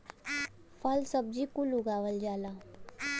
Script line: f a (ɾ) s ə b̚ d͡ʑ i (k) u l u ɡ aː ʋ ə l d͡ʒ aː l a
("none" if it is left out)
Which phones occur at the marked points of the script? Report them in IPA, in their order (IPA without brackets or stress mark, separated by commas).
l, k